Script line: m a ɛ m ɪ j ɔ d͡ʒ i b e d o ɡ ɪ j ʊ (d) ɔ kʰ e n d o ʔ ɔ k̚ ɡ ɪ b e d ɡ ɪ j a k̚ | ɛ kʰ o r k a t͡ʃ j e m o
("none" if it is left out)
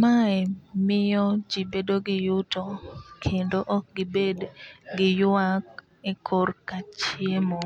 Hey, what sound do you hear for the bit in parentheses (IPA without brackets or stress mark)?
t